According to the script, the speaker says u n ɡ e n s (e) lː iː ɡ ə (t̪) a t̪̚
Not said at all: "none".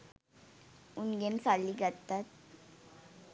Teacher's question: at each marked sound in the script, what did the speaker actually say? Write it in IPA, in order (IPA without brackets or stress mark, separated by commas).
a, t̪